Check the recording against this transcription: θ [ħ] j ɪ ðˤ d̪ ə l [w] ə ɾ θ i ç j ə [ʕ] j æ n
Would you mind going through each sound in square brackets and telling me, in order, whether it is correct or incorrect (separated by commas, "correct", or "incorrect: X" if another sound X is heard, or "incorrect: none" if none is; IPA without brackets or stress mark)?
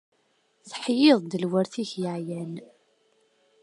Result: correct, correct, correct